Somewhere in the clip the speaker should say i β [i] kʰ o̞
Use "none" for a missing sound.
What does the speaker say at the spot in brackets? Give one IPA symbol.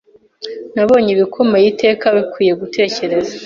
i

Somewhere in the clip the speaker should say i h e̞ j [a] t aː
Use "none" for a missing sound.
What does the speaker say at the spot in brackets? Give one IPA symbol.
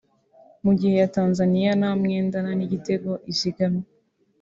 a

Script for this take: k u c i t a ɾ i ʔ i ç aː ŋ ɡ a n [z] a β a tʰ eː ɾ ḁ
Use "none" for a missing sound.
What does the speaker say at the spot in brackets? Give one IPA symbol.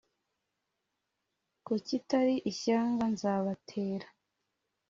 z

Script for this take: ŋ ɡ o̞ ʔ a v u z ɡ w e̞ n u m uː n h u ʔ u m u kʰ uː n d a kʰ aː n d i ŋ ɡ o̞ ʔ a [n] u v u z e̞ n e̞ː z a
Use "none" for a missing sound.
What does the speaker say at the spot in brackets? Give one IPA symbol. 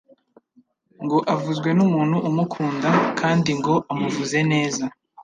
m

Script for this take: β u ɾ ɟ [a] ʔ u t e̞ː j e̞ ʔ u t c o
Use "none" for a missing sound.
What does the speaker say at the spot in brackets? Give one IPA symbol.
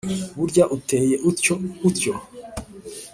a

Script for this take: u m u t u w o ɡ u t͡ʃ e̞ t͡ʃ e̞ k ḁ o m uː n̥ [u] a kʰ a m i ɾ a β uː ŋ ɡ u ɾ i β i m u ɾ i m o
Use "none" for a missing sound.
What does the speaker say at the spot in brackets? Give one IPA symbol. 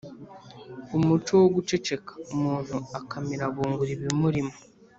u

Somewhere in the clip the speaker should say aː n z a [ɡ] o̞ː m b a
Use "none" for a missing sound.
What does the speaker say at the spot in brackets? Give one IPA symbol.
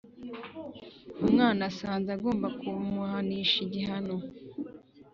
ɡ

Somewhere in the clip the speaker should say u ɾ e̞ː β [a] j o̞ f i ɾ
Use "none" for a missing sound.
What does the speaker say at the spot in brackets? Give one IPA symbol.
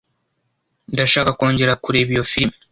i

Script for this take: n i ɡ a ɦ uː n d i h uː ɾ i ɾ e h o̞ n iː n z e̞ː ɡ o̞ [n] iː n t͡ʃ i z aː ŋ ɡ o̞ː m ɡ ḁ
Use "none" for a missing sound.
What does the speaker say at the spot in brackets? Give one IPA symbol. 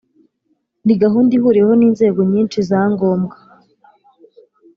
ɲ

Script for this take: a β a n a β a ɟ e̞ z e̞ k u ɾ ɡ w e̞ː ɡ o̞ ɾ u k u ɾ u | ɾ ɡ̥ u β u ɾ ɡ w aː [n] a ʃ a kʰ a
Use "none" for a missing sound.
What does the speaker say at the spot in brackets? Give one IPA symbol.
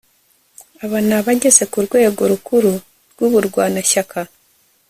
n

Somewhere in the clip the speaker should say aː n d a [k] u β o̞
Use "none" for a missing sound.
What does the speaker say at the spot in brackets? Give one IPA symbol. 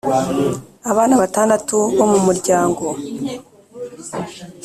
t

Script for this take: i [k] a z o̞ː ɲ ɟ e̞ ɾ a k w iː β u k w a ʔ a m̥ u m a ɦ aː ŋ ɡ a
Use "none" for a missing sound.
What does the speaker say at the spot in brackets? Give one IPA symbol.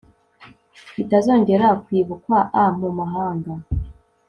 t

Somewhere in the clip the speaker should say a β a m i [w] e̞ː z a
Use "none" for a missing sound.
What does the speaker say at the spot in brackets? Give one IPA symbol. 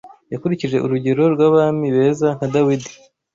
β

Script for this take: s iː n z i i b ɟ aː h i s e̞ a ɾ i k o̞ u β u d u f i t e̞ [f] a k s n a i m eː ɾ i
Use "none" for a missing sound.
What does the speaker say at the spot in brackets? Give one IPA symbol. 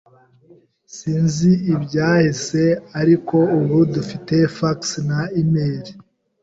f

